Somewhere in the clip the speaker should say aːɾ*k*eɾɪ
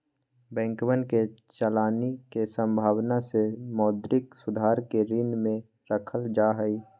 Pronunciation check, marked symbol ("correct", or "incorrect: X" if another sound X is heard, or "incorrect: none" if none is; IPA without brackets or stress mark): correct